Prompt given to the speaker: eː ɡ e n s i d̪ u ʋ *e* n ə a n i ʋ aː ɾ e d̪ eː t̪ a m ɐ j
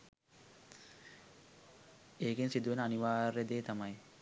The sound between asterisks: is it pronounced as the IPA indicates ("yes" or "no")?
yes